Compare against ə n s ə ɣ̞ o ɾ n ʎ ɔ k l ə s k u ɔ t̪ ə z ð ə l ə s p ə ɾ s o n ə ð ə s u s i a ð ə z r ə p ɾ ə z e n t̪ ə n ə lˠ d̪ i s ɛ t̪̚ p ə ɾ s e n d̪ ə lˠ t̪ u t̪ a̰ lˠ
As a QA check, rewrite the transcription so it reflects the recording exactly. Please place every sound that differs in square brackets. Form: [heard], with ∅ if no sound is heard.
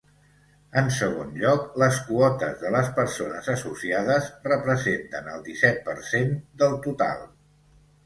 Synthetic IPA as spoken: ə n s ə ɣ̞ o [∅] n ʎ ɔ k l ə s k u ɔ t̪ ə z ð ə l ə s p ə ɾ s o n ə [z] ə s u s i a ð ə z r ə p ɾ ə z e n t̪ ə n ə lˠ d̪ i s ɛ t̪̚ p ə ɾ s e n d̪ ə lˠ t̪ u t̪ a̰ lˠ